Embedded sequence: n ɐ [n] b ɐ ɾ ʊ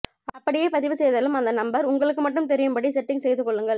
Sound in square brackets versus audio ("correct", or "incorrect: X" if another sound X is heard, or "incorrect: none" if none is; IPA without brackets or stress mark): incorrect: m